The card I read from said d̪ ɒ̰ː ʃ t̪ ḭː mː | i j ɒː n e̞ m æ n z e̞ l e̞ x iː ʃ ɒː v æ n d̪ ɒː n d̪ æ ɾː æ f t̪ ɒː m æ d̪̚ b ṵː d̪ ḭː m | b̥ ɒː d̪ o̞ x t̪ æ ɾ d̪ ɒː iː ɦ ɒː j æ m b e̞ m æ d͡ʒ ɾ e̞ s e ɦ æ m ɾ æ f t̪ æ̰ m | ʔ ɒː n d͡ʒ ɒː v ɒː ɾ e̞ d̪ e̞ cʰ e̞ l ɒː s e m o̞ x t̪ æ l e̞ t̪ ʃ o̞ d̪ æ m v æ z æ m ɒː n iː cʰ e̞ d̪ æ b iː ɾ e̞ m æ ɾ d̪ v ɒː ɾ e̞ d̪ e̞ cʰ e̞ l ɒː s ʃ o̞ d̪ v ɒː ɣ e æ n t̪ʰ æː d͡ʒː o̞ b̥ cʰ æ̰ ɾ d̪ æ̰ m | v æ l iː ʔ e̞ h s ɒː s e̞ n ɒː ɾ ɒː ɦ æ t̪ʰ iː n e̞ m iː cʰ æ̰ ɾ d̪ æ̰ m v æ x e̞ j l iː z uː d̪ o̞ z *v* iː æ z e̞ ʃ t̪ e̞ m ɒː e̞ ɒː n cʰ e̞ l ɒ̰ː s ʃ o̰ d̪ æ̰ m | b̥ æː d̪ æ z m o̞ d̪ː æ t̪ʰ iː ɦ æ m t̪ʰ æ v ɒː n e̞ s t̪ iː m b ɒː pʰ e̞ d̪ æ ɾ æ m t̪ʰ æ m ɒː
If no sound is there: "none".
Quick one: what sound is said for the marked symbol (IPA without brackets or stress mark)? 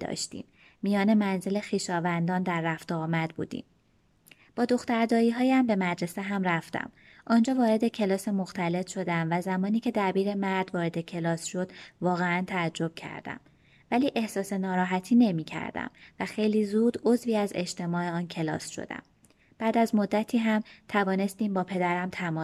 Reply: v